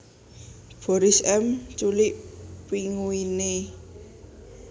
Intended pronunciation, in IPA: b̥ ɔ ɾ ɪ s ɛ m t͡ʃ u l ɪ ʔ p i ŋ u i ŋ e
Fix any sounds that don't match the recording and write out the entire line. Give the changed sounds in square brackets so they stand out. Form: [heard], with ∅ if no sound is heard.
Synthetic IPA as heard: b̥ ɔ ɾ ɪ s ɛ m t͡ʃ u l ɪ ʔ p i ŋ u i [n] e